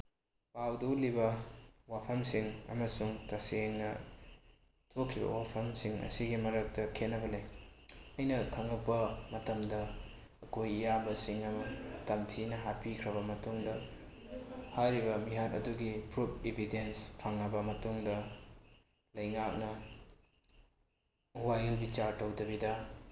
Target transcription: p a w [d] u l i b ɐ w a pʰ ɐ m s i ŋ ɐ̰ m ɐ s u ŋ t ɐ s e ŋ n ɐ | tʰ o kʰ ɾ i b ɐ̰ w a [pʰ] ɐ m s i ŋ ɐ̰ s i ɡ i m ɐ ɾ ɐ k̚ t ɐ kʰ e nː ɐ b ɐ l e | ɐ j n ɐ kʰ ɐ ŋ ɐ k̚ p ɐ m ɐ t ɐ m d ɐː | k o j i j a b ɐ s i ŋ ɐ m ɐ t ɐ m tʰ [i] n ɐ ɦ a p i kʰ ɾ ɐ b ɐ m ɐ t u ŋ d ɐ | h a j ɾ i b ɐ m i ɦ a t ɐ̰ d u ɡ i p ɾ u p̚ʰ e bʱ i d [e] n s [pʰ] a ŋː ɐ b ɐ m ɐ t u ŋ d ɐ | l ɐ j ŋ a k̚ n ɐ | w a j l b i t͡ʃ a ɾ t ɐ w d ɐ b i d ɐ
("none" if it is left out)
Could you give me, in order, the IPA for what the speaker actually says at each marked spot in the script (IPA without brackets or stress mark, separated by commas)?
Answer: d, pʰ, i, e, pʰ